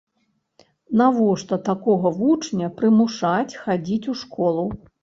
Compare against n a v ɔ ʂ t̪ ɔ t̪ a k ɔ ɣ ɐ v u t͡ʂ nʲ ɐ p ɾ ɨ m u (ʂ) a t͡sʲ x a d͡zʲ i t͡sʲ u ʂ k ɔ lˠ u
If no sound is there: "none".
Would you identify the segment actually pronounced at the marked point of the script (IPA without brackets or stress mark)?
ʂ